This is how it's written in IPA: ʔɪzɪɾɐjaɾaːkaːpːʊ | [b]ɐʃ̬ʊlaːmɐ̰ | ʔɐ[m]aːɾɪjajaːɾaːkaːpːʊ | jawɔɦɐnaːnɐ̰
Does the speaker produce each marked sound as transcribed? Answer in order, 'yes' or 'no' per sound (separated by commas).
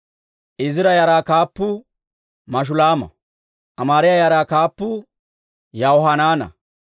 no, yes